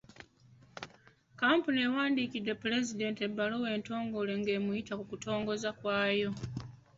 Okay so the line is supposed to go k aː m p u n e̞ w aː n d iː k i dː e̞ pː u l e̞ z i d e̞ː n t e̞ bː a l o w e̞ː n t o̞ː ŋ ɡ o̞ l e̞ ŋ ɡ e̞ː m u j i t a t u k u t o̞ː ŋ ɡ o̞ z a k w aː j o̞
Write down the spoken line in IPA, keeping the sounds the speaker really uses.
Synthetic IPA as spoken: k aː m p u n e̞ w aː n d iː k i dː e̞ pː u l e̞ z i d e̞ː n t e̞ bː a l o w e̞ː n t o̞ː ŋ ɡ o̞ l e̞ ŋ ɡ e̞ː m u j i t a k u k u t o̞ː ŋ ɡ o̞ z a k w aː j o̞